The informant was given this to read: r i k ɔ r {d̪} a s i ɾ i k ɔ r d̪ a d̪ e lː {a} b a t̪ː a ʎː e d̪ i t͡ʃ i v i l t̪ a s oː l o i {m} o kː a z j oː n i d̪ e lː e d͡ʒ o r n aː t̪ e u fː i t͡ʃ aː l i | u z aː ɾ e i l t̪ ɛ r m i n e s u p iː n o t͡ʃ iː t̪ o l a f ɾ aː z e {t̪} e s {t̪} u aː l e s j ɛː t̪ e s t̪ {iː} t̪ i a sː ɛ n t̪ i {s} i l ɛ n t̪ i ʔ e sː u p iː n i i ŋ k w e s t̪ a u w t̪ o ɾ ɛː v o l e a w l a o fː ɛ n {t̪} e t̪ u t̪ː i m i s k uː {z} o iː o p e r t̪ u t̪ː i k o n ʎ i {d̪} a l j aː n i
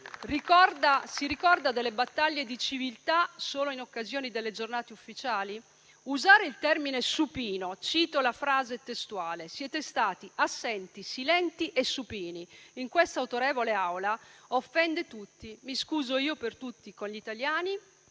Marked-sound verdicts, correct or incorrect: correct, incorrect, incorrect, correct, correct, incorrect, correct, incorrect, correct, incorrect

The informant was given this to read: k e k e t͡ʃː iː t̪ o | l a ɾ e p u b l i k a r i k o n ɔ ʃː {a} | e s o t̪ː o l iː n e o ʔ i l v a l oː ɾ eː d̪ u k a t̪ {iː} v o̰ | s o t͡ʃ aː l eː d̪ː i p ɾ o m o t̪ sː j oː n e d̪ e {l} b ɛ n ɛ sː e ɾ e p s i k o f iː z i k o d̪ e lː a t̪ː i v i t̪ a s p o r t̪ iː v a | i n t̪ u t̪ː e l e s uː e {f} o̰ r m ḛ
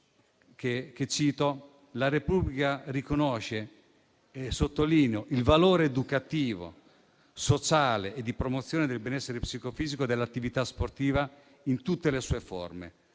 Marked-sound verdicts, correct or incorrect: incorrect, correct, correct, correct

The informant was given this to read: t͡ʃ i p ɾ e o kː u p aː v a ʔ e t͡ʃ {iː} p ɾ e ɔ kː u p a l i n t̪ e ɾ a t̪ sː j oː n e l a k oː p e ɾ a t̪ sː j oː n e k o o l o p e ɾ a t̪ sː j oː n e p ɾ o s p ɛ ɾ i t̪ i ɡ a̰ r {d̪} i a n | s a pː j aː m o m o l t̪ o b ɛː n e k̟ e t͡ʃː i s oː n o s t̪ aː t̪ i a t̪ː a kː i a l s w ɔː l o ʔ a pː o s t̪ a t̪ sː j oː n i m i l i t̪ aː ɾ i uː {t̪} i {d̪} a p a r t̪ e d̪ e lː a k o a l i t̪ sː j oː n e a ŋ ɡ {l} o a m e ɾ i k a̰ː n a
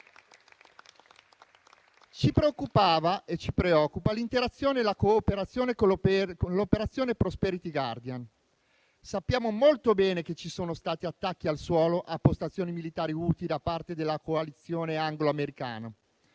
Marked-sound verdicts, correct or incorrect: incorrect, correct, correct, correct, correct

